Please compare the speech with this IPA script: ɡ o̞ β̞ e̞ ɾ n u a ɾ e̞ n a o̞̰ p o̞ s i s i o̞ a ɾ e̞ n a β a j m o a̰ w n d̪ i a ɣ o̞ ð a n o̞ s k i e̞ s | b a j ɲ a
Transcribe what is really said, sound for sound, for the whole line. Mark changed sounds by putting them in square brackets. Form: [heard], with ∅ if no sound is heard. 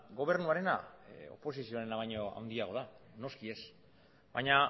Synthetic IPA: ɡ o̞ β̞ e̞ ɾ n u a ɾ e̞ n a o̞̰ p o̞ s i s i o̞ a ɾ e̞ n a β a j [ɲ] o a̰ w n d̪ i a ɣ o̞ ð a n o̞ s k i e̞ s | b a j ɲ a